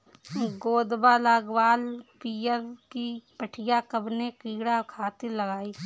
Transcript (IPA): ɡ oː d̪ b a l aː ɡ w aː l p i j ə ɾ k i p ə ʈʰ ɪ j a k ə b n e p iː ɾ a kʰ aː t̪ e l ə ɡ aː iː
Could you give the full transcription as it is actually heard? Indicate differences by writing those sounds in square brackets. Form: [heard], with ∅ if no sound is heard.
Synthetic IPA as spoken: ɡ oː d̪ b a l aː ɡ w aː l p i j ə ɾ k i p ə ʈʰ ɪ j a k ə b n e [k] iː [ɽ] a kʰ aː t̪ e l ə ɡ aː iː